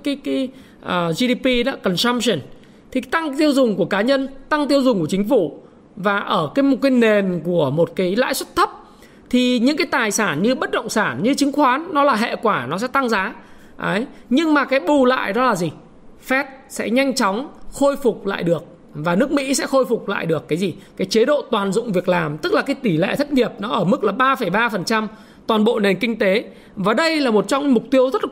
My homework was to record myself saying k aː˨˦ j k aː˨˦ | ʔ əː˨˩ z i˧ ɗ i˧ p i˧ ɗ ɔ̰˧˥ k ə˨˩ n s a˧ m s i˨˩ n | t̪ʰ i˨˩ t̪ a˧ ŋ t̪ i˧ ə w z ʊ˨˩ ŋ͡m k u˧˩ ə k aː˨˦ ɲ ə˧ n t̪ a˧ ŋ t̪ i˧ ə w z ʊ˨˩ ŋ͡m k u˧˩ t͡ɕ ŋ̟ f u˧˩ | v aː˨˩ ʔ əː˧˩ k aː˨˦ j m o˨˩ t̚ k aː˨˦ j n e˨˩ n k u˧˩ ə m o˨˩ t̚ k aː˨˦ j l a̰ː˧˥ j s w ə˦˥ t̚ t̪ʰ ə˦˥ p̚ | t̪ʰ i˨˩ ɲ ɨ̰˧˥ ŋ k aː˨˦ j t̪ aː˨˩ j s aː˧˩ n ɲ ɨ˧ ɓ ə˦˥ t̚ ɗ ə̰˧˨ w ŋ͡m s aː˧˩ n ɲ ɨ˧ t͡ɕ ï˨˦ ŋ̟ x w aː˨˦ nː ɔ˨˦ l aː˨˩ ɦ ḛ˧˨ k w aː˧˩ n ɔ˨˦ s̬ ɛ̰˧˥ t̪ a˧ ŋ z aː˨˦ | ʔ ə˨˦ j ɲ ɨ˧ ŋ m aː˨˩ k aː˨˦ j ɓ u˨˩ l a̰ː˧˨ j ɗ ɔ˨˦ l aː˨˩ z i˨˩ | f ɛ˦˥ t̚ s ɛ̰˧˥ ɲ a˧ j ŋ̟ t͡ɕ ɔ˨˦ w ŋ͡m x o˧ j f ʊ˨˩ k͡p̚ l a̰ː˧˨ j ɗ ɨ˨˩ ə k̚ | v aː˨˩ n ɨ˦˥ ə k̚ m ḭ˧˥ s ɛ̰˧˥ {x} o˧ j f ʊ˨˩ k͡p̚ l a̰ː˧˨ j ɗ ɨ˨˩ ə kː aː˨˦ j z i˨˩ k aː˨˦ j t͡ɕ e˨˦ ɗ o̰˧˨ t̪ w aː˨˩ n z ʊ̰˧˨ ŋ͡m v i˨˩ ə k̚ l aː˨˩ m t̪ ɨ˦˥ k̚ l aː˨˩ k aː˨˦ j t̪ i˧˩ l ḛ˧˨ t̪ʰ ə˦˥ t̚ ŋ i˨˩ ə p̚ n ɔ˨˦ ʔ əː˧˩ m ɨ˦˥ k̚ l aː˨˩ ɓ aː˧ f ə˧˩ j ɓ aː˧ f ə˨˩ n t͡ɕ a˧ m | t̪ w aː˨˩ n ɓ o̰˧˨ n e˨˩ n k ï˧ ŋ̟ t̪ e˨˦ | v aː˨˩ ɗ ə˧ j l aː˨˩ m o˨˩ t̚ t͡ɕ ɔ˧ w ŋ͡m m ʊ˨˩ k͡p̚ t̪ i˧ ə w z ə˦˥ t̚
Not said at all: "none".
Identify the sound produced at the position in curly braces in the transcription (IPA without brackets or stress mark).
x